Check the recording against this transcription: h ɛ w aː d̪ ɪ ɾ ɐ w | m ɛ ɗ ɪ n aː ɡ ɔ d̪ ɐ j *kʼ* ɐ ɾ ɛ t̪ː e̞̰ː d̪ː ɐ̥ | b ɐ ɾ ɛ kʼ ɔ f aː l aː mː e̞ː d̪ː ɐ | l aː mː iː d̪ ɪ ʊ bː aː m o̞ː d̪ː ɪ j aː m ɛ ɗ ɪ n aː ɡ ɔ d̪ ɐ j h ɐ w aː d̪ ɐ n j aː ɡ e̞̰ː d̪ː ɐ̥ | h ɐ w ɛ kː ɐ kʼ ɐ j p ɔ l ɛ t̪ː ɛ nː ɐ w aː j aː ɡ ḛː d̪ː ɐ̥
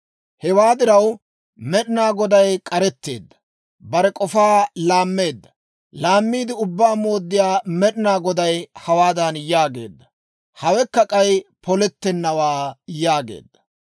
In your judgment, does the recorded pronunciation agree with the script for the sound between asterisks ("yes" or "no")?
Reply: yes